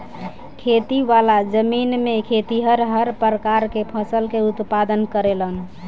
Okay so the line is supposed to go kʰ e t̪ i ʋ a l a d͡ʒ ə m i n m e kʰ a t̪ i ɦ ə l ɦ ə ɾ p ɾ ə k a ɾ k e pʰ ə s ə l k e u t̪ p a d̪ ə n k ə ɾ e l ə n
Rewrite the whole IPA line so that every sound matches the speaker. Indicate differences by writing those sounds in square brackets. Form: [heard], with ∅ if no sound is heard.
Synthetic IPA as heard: kʰ e t̪ i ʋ a l a d͡ʒ ə m i n m e kʰ [e] t̪ i ɦ ə [ɾ] ɦ ə ɾ p ɾ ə k a ɾ k e pʰ ə s ə l k e u t̪ p a d̪ ə n k ə ɾ e l ə n